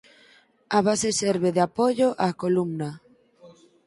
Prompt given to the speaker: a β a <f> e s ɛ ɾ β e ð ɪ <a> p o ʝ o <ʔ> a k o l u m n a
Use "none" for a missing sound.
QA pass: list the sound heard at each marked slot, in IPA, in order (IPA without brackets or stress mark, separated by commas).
s, a, ʔ